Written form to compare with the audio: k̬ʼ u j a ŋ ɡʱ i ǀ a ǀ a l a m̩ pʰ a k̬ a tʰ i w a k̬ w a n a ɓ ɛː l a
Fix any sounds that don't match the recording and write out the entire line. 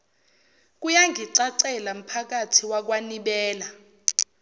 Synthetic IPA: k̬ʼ u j a ŋ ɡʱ i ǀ a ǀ ɛ l a m̩ pʰ a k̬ a tʰ i w a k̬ w a n i ɓ ɛː l a